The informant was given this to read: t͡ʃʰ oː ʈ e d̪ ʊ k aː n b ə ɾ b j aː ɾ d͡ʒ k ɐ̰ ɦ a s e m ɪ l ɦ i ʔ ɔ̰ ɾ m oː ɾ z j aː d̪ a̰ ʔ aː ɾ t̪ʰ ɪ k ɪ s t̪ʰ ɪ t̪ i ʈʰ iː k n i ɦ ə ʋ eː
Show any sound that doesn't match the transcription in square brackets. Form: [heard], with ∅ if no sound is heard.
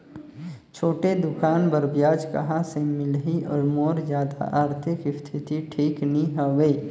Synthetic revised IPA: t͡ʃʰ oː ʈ e d̪ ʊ k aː n b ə ɾ b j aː [∅] d͡ʒ k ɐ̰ ɦ a s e m ɪ l ɦ i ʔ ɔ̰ ɾ m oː ɾ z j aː d̪ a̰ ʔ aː ɾ t̪ʰ ɪ k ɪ s t̪ʰ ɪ t̪ i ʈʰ iː k n i ɦ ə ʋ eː